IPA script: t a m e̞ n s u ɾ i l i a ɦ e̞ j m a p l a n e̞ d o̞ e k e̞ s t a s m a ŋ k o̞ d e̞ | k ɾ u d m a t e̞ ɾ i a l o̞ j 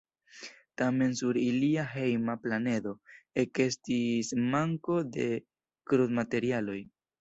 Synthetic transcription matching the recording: t a m e̞ n s u ɾ i l i a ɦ e̞ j m a p l a n e̞ d o̞ e k e̞ s t i s m a ŋ k o̞ d e̞ | k ɾ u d m a t e̞ ɾ i a l o̞ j